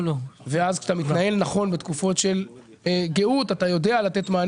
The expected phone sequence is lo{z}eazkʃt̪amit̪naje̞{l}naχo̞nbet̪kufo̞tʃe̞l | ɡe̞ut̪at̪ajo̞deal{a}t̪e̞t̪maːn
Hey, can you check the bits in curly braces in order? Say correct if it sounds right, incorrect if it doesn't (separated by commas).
incorrect, correct, correct